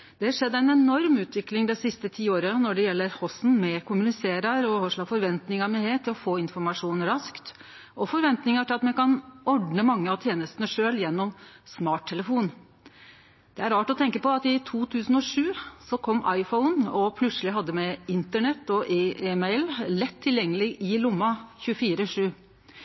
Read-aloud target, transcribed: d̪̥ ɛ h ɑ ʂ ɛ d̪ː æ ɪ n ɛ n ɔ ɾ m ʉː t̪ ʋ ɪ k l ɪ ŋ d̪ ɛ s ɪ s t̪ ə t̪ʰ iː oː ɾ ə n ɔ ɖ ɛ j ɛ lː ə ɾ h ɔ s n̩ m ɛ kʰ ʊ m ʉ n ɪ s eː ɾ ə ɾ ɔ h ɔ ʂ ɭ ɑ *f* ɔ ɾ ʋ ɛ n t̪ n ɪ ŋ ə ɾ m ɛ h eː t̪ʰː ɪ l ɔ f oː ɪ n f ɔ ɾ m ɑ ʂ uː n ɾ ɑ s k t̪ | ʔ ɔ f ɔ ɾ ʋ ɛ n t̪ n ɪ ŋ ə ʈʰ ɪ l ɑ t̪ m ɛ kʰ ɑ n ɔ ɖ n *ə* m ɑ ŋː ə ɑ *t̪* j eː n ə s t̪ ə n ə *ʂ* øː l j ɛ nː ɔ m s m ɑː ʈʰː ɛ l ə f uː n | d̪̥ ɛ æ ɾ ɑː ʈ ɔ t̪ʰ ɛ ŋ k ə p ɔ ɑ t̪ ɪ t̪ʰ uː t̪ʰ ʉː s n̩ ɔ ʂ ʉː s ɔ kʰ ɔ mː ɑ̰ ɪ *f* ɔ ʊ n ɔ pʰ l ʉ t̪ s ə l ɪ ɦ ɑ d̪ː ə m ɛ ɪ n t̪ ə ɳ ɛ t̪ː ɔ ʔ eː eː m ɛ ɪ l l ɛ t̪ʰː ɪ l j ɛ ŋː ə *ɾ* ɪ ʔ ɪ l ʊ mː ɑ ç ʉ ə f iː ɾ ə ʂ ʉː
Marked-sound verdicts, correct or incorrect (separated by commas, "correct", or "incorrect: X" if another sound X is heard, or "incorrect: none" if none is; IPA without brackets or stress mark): correct, correct, incorrect: t̪ʰ, correct, correct, incorrect: l